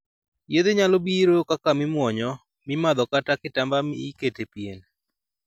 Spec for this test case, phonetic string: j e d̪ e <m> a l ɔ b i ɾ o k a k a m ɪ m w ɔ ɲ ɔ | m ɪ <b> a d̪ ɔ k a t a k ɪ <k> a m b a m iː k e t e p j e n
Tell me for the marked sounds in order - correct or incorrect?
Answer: incorrect, incorrect, incorrect

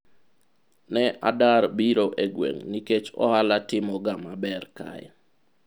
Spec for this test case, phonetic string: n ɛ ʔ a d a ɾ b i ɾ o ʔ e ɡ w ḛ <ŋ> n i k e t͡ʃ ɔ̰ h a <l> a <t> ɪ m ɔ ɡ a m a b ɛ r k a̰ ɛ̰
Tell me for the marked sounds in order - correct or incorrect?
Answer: correct, correct, correct

